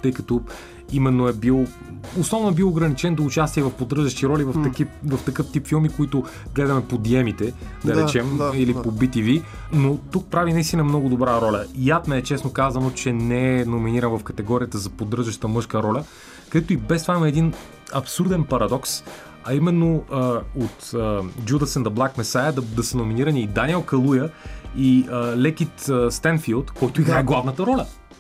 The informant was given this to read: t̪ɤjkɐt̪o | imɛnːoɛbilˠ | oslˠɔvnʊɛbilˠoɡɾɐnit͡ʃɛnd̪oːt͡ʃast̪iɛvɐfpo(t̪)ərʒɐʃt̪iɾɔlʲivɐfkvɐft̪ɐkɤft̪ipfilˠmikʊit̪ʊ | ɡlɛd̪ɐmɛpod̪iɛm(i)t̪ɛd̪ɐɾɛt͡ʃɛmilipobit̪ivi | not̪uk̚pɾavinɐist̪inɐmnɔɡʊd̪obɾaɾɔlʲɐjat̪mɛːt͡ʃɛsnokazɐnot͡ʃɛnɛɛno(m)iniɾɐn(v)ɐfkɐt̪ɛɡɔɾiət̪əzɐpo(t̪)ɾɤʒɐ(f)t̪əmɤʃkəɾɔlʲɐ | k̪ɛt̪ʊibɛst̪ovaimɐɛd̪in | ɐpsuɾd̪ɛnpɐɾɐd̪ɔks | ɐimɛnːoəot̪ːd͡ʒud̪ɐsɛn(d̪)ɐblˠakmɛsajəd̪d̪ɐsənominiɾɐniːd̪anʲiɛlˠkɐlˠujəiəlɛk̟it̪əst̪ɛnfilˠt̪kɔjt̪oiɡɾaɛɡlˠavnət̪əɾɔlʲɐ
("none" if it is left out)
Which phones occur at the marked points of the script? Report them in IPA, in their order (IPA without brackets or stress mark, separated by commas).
d̪, i, m, v, d̪, ʃ, d̪